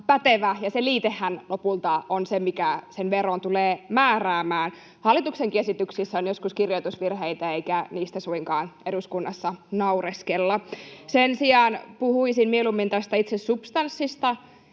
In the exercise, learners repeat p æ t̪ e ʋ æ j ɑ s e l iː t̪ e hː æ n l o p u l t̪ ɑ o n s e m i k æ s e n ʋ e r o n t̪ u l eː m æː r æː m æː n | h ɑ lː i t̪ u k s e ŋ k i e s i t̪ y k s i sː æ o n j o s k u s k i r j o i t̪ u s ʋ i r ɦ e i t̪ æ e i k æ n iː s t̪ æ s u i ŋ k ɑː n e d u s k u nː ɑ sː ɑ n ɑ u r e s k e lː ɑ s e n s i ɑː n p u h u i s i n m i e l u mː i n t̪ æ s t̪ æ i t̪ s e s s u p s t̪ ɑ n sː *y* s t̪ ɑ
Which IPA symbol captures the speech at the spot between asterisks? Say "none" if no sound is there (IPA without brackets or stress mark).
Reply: i